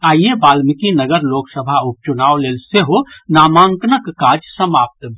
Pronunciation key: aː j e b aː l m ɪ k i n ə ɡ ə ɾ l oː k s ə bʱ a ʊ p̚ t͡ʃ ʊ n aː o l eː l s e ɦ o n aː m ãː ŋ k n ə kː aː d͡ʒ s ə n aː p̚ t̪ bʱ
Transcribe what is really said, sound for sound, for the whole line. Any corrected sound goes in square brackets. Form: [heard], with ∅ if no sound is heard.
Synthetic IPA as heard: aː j e b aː l m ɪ k i n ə ɡ ə ɾ l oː k s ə bʱ a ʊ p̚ t͡ʃ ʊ n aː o l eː l s e ɦ o n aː m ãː ŋ k n ə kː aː d͡ʒ s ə [m] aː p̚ t̪ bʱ